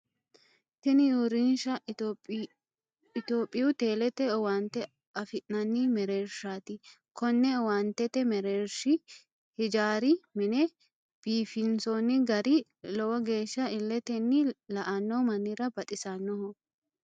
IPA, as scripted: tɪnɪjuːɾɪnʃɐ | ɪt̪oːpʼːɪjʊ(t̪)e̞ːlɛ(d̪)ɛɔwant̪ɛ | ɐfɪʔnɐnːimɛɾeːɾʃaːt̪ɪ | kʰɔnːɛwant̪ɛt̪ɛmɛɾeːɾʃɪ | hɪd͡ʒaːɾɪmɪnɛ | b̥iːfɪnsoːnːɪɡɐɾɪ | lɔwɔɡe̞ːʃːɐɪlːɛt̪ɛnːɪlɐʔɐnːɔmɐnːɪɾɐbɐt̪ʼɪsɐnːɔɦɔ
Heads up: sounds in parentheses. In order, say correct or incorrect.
correct, incorrect: t̪

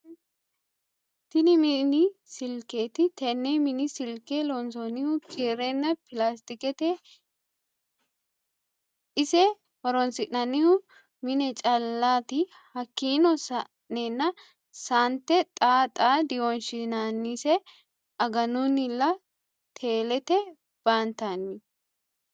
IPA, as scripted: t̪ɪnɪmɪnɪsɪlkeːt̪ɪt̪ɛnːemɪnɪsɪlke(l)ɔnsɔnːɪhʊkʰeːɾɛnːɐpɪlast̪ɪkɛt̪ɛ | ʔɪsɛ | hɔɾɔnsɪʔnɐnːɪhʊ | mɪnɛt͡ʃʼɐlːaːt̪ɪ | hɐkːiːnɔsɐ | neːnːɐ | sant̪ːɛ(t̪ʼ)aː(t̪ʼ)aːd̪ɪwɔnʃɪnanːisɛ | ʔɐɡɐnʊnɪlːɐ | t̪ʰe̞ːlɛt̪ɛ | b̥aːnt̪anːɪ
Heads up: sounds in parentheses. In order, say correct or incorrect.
correct, correct, correct

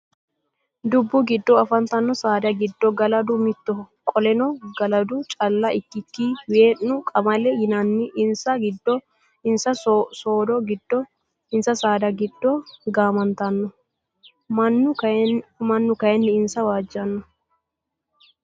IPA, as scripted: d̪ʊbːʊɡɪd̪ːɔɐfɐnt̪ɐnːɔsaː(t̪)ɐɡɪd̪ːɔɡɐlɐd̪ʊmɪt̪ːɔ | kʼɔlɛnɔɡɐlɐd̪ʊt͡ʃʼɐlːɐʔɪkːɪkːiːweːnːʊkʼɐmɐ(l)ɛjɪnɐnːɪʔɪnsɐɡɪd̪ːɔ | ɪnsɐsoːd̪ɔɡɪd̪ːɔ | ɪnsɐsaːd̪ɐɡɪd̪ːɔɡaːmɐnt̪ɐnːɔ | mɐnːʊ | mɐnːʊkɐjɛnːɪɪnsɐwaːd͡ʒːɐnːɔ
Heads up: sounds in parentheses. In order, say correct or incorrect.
incorrect: d̪, correct

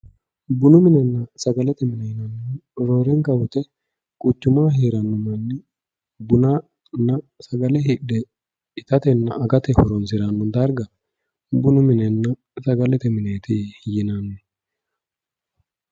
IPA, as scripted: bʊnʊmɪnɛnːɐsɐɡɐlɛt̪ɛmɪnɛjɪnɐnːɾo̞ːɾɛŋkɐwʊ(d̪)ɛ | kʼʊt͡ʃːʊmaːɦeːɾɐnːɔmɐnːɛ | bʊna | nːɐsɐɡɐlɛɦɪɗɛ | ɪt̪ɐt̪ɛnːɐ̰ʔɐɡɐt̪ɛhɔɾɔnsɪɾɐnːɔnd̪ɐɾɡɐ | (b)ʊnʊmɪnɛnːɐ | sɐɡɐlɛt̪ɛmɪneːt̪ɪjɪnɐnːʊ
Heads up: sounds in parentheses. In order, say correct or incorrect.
incorrect: t̪, correct

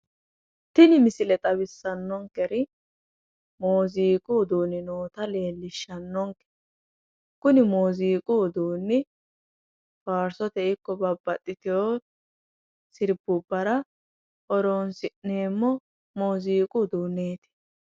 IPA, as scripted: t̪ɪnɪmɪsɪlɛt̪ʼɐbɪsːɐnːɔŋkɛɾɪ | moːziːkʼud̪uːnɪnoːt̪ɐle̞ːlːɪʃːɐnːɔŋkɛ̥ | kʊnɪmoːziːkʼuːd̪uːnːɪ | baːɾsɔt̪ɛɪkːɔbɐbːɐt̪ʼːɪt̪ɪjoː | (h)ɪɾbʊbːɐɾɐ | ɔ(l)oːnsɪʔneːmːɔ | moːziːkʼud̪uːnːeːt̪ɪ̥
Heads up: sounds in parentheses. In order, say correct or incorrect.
incorrect: s, incorrect: ɾ

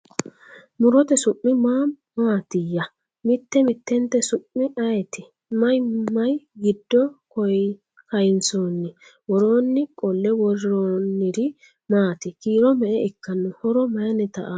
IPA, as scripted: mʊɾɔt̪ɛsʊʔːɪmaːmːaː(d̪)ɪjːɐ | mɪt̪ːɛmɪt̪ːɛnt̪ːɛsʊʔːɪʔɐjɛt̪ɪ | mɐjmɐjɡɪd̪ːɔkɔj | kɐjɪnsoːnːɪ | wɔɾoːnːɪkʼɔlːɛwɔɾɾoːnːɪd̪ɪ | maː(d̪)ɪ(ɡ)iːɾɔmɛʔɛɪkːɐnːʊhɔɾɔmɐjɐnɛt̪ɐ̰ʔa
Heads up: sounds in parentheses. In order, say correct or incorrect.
incorrect: t̪, incorrect: t̪, incorrect: k

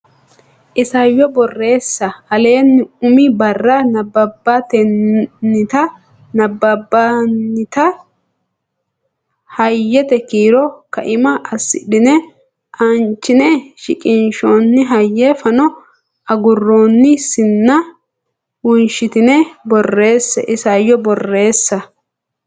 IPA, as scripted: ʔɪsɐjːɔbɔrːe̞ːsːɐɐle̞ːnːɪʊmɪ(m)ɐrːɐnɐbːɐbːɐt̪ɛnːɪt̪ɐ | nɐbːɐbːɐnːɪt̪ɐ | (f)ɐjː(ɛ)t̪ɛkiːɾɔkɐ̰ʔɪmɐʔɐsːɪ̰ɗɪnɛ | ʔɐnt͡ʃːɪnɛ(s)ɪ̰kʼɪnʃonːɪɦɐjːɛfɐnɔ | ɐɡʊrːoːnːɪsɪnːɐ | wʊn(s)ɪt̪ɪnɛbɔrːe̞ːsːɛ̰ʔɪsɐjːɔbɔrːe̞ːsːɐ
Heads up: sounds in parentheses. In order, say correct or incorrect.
incorrect: b, incorrect: h, correct, incorrect: ʃ, incorrect: ʃ

